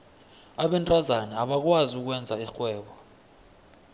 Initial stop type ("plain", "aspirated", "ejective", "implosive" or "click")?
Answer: implosive